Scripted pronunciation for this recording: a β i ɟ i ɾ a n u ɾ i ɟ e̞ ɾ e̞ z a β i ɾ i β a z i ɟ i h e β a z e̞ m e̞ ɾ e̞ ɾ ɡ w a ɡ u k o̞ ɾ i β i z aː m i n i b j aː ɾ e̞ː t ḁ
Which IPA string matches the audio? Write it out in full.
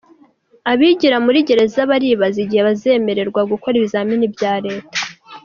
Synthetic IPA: a β i ɟ i ɾ a m u ɾ i ɟ e̞ ɾ e̞ z a β a ɾ i β a z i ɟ i h e β a z e̞ m e̞ ɾ e̞ ɾ ɡ w a ɡ u k o̞ ɾ i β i z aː m i n i b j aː ɾ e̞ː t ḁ